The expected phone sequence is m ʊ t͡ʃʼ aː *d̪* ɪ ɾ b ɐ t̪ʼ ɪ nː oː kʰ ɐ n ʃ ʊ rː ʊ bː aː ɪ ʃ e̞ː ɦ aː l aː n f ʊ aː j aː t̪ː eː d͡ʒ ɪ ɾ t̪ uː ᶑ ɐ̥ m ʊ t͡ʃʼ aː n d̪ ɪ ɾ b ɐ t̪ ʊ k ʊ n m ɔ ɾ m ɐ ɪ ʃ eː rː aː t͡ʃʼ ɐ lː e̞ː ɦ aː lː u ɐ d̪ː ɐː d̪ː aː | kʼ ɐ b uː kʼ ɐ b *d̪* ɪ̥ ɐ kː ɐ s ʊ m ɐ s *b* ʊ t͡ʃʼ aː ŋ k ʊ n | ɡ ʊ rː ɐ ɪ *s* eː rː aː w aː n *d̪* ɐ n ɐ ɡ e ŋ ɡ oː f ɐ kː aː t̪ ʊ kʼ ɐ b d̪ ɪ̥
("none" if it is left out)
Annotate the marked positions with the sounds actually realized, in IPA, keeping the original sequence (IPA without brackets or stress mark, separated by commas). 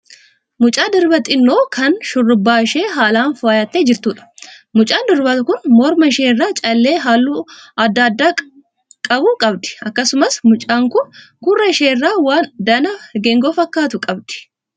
d̪, d̪, m, ʃ, d̪